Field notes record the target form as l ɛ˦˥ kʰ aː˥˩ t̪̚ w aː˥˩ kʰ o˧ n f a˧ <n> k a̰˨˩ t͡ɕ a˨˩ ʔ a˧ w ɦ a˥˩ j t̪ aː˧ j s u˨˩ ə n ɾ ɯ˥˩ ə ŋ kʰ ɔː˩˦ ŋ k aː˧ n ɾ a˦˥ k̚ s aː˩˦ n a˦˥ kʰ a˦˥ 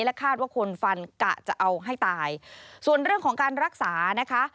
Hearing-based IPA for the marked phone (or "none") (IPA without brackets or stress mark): n